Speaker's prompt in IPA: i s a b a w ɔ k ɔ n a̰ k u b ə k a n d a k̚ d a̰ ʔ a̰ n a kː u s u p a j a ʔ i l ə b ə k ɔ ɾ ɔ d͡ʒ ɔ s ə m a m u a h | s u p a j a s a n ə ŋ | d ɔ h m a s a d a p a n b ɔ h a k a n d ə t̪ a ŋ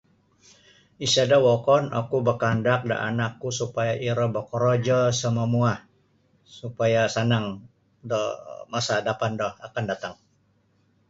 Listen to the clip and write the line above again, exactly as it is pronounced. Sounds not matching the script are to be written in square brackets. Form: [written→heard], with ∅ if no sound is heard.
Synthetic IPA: i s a [b→d] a w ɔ k ɔ n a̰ k u b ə k a n d a k̚ d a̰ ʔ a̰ n a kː u s u p a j a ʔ i [l→ɾ] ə b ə k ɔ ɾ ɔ d͡ʒ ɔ s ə m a m u a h | s u p a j a s a n [ə→a] ŋ | d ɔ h m a s a d a p a n [b→d] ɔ h a k a n d [ə→a] t̪ a ŋ